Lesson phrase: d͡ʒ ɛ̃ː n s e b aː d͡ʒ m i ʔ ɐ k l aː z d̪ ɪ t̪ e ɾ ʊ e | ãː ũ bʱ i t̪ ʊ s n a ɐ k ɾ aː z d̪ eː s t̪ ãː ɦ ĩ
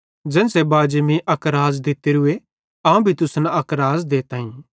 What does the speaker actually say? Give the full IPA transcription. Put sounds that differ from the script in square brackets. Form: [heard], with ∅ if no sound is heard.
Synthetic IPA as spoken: d͡ʒ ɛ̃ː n s e b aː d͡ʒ m i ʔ ɐ k [ɾ] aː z d̪ ɪ t̪ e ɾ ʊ e | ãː ũ bʱ i t̪ ʊ s n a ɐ k ɾ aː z d̪ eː [∅] t̪ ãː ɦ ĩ